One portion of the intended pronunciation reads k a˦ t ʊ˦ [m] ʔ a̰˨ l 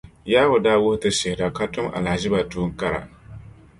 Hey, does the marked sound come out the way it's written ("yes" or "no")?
yes